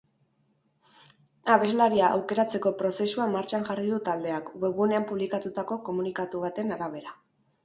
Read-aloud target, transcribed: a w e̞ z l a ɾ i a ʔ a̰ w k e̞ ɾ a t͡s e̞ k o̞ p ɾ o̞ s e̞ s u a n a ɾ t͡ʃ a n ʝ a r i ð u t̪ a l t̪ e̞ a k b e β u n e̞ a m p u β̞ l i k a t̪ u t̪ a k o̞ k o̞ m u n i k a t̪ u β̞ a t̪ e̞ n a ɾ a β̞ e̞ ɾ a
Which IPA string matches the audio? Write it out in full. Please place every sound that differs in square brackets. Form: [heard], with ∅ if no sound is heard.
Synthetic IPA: a [β] e̞ z l a ɾ i a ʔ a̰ w k e̞ ɾ a t͡s e̞ k o̞ p ɾ o̞ s e̞ s u a [m] a ɾ t͡ʃ a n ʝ a r i ð u t̪ a l [d̪] e̞ a k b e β u n e̞ a m p u β̞ l i k a t̪ u t̪ a k o̞ k o̞ m u n i k a t̪ u β̞ a t̪ e̞ n a ɾ a β̞ e̞ ɾ a